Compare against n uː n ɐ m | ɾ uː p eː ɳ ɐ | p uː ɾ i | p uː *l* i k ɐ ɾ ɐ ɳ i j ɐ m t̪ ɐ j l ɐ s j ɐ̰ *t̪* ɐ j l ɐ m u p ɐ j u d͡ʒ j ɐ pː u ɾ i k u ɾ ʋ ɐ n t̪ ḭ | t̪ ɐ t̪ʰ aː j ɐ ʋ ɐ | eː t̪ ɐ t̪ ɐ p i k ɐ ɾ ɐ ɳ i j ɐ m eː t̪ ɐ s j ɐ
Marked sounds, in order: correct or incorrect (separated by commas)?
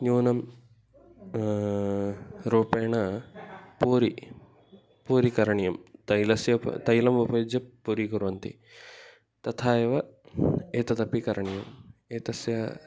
incorrect, correct